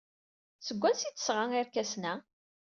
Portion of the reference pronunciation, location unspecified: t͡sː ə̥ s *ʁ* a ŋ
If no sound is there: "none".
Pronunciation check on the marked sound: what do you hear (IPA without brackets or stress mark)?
ʁ